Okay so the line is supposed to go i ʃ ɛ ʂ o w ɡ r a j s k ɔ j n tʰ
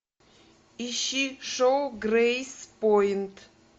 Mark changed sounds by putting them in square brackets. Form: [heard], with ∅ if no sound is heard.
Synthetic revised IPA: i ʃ [i] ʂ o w ɡ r [e] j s [p] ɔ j n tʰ